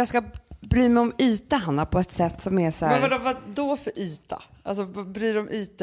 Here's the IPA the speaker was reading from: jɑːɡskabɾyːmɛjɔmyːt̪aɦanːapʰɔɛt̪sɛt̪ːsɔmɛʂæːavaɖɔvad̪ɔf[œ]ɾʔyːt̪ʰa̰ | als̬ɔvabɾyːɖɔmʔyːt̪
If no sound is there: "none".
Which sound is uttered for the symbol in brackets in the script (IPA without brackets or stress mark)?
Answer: œ